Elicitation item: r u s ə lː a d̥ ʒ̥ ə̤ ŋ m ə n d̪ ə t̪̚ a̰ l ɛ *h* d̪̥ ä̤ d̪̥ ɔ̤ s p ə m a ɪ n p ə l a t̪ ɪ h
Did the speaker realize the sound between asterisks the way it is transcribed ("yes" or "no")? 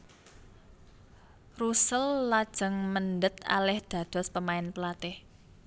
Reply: yes